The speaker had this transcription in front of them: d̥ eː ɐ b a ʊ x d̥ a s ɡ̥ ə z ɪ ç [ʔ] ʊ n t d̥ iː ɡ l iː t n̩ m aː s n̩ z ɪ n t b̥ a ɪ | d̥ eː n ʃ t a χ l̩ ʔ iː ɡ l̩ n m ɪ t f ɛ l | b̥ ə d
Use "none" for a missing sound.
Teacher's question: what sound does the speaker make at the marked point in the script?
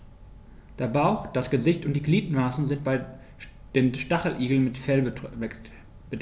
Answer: t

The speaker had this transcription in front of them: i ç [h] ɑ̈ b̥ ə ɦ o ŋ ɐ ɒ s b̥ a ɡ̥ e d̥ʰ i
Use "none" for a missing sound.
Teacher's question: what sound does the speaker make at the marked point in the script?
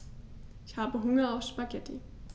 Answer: h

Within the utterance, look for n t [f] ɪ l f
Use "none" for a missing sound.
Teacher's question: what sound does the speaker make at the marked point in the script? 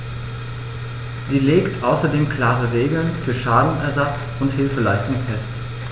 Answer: h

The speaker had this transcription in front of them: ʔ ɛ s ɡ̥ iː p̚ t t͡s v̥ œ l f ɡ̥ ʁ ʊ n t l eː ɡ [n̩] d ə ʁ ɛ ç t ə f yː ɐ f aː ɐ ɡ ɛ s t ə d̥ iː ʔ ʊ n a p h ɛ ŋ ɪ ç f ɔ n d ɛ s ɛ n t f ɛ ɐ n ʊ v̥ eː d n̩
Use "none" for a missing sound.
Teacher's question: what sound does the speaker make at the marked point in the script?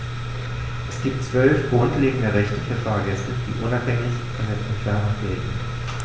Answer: ŋ̩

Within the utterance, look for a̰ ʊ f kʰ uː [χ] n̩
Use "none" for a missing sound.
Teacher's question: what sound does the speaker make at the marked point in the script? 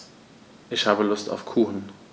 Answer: x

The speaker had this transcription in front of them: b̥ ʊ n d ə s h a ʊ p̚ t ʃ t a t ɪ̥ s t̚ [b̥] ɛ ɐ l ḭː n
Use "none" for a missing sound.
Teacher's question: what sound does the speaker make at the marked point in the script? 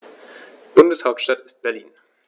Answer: b̥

